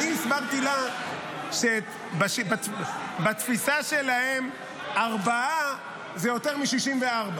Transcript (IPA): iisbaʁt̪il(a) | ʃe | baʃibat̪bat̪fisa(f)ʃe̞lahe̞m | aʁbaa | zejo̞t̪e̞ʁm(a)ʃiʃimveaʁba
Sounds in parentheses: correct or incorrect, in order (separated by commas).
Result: correct, incorrect, incorrect